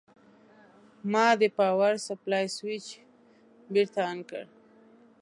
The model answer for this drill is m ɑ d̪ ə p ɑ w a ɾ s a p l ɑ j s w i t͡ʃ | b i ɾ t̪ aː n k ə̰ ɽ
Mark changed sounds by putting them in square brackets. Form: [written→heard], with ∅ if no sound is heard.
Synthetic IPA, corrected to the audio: m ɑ d̪ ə p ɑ w a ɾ s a p l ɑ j s w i t͡ʃ | b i ɾ t̪ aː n k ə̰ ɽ